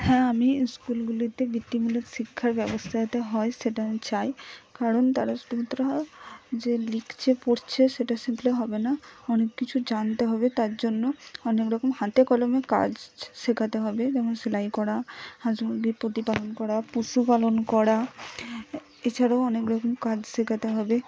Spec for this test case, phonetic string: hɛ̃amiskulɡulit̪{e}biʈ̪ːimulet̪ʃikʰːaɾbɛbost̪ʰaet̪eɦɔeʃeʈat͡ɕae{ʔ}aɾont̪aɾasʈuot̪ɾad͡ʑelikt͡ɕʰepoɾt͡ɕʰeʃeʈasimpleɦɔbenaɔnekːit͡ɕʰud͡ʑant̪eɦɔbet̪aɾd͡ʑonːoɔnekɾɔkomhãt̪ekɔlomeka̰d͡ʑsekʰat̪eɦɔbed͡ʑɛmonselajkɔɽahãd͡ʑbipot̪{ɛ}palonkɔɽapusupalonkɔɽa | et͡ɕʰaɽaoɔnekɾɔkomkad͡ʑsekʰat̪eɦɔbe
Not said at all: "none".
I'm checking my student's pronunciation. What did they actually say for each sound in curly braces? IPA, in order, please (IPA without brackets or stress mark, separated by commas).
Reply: e, k, i